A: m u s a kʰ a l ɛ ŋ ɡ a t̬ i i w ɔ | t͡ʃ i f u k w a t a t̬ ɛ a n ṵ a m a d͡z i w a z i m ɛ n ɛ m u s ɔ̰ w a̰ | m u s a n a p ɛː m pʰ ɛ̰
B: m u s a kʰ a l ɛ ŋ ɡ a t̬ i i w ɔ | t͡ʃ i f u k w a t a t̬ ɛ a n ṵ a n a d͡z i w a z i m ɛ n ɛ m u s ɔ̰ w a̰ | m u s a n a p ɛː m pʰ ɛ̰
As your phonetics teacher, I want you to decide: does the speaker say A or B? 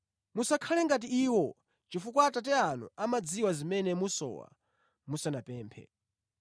A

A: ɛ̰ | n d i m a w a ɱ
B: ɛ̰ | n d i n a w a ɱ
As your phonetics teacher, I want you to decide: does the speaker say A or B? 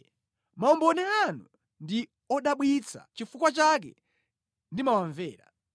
A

